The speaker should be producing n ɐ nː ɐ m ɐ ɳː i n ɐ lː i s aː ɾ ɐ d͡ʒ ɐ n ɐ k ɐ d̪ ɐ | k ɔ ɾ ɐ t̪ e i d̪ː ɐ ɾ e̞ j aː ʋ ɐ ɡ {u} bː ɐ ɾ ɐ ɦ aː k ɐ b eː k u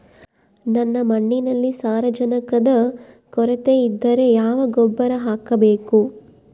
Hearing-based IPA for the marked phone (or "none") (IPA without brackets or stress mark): ɔ